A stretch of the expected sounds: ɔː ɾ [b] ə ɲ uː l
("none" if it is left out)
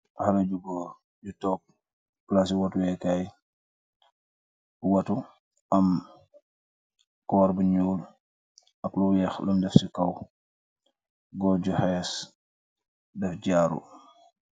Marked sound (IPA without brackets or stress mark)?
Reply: b